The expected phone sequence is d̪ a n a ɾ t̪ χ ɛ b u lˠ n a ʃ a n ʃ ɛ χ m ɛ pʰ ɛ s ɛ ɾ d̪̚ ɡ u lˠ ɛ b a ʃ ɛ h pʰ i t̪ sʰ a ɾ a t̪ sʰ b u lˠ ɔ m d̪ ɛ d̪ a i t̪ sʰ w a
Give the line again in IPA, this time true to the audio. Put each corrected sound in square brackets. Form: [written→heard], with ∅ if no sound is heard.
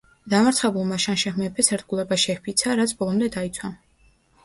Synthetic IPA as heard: d̪ a [n→m] a ɾ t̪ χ ɛ b u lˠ [n→m] a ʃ a n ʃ ɛ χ m ɛ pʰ ɛ s ɛ ɾ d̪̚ ɡ u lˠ ɛ b a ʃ ɛ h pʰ i t̪ sʰ a ɾ a t̪ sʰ b [u→ɔ] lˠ ɔ m d̪ ɛ d̪ a i t̪ sʰ w a

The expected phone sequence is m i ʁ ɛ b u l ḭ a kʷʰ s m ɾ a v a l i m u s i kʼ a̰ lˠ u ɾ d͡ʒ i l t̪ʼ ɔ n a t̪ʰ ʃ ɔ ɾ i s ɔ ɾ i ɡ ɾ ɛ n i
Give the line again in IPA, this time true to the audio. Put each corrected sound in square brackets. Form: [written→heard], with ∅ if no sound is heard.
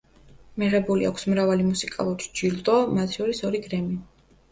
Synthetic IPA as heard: m i ʁ ɛ b u l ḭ a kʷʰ s m ɾ a v a l i m u s i kʼ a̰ lˠ u ɾ d͡ʒ i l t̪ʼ ɔ [n→m] a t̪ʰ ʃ ɔ ɾ i s ɔ ɾ i ɡ ɾ ɛ [n→m] i

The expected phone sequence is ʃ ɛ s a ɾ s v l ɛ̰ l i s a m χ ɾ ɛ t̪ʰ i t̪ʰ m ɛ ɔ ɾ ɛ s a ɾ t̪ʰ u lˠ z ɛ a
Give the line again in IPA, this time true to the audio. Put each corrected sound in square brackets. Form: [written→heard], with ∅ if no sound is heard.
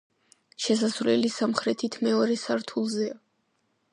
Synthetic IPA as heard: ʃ ɛ s a [ɾ→∅] s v l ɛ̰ l i s a m χ ɾ ɛ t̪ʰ i t̪ʰ m ɛ ɔ ɾ ɛ s a ɾ t̪ʰ u lˠ z ɛ a

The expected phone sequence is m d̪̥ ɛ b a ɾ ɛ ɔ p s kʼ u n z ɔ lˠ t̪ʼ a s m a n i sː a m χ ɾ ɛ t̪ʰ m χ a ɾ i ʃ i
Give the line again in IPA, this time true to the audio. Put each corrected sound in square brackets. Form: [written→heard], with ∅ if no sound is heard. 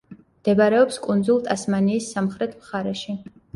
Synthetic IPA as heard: m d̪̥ ɛ b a ɾ ɛ ɔ p s kʼ u n z [ɔ→u] lˠ t̪ʼ a s m a n [i→iː] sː a m χ ɾ ɛ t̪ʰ m χ a ɾ [i→ɛ] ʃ i

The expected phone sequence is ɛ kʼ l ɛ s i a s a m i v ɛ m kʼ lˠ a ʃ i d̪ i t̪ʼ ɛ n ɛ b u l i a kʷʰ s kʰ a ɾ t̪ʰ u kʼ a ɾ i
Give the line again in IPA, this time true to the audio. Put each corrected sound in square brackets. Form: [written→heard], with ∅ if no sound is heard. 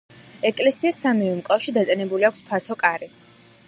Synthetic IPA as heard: ɛ kʼ l ɛ s i a s a m i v ɛ m kʼ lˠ a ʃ i d̪ [i→a] t̪ʼ ɛ n ɛ b u l i a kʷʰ s [kʰ→pʰ] a ɾ t̪ʰ [u→ɔ] kʼ a ɾ i

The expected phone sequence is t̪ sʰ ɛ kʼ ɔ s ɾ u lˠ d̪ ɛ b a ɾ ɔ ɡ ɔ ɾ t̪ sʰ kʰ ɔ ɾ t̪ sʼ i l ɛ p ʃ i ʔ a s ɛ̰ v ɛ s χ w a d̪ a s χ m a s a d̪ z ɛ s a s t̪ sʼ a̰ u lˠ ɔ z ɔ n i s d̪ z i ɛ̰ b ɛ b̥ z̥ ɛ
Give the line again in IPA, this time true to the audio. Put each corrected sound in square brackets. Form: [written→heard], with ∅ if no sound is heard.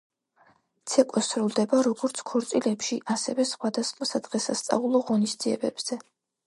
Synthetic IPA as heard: t̪ sʰ ɛ kʼ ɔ s ɾ u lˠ d̪ ɛ b a ɾ ɔ ɡ ɔ ɾ t̪ sʰ kʰ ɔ ɾ t̪ sʼ i l ɛ p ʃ i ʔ a s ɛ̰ v ɛ s χ w a d̪ a s χ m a s a d̪ [z→ʁ] ɛ s a s t̪ sʼ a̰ u lˠ ɔ [z→ʁ] ɔ n i s d̪ z i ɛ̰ b ɛ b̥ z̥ ɛ

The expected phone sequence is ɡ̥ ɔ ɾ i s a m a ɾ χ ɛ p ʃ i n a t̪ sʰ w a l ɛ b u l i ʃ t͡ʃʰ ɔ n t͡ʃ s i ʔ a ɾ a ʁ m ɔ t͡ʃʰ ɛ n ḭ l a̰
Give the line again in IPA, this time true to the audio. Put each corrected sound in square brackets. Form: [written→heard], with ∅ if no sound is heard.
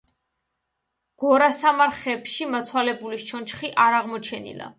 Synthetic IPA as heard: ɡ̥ ɔ ɾ [i→a] s a m a ɾ χ ɛ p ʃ i [n→m] a t̪ sʰ w a l ɛ b u l i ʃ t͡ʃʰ ɔ n t͡ʃ [s→χ] i ʔ a ɾ a ʁ m ɔ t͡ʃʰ ɛ n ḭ l a̰

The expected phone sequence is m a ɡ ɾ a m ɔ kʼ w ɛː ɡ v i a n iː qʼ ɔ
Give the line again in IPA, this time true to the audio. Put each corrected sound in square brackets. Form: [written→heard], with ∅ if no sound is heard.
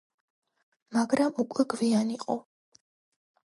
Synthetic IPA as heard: m a ɡ ɾ a m [ɔ→u] kʼ w [ɛː→ɛ] ɡ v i a n [iː→i] qʼ ɔ

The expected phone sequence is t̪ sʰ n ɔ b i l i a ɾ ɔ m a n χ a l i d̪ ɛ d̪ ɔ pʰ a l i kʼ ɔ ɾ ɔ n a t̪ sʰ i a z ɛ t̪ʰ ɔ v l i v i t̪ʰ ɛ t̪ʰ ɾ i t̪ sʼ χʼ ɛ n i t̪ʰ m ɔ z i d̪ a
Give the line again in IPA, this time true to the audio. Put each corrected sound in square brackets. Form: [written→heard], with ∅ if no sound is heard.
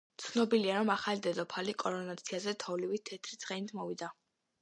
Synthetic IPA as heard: t̪ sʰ n ɔ b i l i a ɾ ɔ m a [n→∅] χ a l i d̪ ɛ d̪ ɔ pʰ a l i kʼ ɔ ɾ ɔ n a t̪ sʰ i a z ɛ t̪ʰ ɔ v l i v i t̪ʰ ɛ t̪ʰ ɾ i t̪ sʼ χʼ ɛ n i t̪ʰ m ɔ [z→v] i d̪ a

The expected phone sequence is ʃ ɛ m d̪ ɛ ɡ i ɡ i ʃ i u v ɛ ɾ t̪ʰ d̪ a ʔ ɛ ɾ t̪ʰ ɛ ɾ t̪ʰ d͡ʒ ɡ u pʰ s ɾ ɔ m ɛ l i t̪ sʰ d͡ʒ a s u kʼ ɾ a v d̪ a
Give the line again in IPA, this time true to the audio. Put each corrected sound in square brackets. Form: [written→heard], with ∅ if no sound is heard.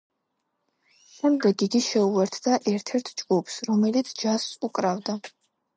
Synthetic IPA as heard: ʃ ɛ m d̪ ɛ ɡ i ɡ i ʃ [i→ɛ] u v ɛ ɾ t̪ʰ d̪ a ʔ ɛ ɾ t̪ʰ ɛ ɾ t̪ʰ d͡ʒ ɡ u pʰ s ɾ ɔ m ɛ l i t̪ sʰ d͡ʒ a s u kʼ ɾ a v d̪ a

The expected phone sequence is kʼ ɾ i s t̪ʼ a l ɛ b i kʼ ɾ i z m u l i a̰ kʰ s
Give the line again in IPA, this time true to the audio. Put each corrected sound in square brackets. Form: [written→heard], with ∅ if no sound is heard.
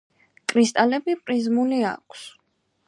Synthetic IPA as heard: kʼ ɾ i s t̪ʼ a l ɛ b i [kʼ→pʼ] ɾ i z m u l i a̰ kʰ s

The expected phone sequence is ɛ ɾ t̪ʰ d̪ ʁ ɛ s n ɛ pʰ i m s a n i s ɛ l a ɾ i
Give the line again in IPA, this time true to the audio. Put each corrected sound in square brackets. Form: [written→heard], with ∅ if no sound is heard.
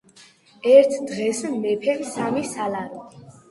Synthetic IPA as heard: ɛ ɾ t̪ʰ d̪ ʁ ɛ s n ɛ pʰ [i→ɛ] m s a [n→m] i s [ɛ→a] l a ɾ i

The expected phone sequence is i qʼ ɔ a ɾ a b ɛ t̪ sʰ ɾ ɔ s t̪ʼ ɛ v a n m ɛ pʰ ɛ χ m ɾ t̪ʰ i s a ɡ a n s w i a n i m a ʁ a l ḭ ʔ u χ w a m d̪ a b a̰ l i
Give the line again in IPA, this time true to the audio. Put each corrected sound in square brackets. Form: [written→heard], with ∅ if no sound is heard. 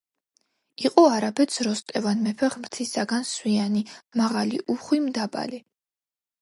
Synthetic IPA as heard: i qʼ ɔ a ɾ a b ɛ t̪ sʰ ɾ ɔ s t̪ʼ ɛ v a n m ɛ pʰ ɛ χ m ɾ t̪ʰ i s a ɡ a n s w i a n i m a ʁ a l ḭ ʔ u χ w [a→i] m d̪ a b a̰ l i

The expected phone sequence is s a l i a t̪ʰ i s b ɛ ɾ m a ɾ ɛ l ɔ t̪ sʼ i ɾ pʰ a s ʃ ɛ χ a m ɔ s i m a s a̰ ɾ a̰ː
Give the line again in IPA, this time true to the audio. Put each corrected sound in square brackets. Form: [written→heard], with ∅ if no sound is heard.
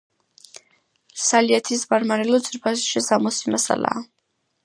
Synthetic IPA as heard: s a l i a t̪ʰ i s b [ɛ→a] ɾ m a ɾ ɛ l ɔ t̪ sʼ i ɾ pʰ a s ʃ ɛ [χ→s] a m ɔ s i m a s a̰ [ɾ→l] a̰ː

